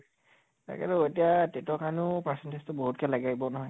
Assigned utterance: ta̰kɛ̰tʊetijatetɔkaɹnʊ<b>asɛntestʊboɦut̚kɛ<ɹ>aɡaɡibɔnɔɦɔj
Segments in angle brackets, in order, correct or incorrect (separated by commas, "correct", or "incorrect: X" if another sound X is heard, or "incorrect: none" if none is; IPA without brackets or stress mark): incorrect: p, incorrect: l